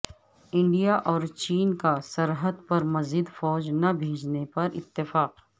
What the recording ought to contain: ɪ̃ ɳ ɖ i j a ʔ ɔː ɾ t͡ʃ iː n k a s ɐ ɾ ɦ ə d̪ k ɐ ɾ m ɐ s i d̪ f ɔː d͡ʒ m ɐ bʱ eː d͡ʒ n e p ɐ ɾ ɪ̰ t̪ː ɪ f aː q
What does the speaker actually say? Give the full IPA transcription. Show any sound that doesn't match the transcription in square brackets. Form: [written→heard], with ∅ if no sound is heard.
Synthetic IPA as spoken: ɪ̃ ɳ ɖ i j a ʔ ɔː ɾ t͡ʃ iː n k a s ɐ ɾ ɦ ə d̪ [k→p] ɐ ɾ m ɐ [s→z] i d̪ f ɔː d͡ʒ [m→n] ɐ bʱ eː d͡ʒ n e p ɐ ɾ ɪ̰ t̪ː ɪ f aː q